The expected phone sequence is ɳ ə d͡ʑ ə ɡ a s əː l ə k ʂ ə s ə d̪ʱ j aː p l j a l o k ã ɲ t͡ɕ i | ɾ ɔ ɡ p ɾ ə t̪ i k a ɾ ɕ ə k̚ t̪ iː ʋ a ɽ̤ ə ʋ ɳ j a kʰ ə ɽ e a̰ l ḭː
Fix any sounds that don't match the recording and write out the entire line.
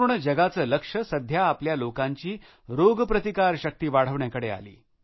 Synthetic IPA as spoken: ɳ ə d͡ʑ ə ɡ a t͡s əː l ə k ʂ ə s ə d̪ʱ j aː p l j a l o k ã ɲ t͡ɕ iː | ɾ o ɡ p ɾ ə t̪ i k a ɾ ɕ ə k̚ t̪ iː ʋ a ɽ̤ ə ʋ ɳ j a k ə ɽ e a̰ l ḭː